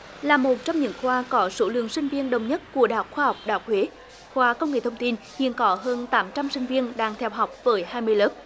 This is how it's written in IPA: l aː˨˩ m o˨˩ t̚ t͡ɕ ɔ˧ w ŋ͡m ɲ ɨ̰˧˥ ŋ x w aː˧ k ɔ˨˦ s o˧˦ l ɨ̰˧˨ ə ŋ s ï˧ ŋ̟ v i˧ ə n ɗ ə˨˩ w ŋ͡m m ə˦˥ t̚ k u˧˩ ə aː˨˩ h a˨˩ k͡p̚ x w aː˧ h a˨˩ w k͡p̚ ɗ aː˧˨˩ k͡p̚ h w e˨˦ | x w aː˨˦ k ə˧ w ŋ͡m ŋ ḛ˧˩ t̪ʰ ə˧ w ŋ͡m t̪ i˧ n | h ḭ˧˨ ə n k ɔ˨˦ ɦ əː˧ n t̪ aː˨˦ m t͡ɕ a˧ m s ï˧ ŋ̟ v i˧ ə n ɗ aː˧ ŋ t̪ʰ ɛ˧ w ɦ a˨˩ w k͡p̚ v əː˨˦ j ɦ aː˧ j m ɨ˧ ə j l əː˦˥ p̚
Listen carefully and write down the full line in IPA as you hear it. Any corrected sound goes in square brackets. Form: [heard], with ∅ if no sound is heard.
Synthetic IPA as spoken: l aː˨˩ m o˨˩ t̚ t͡ɕ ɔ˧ w ŋ͡m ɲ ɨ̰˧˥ ŋ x w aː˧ k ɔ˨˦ s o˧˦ l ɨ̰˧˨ ə ŋ s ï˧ ŋ̟ v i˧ ə n ɗ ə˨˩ w ŋ͡m [ɲ] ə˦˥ t̚ k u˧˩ ə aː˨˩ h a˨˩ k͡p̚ x w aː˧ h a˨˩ w k͡p̚ ɗ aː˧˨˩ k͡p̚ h w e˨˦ | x w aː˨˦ k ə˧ w ŋ͡m ŋ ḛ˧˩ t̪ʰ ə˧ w ŋ͡m t̪ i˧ n | h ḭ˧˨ ə n k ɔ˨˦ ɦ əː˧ n t̪ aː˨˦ m t͡ɕ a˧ m s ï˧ ŋ̟ v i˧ ə n ɗ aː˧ ŋ t̪ʰ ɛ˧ w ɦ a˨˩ w k͡p̚ v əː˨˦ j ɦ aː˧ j m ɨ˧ ə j l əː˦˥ p̚